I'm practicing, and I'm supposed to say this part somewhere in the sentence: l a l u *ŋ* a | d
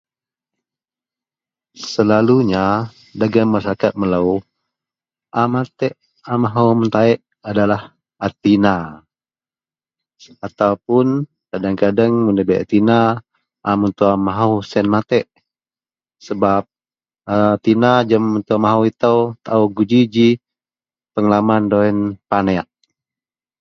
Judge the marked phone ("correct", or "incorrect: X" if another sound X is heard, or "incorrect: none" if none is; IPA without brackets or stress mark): incorrect: ɲ